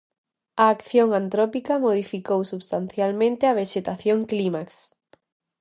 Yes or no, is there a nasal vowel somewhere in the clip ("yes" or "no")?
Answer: yes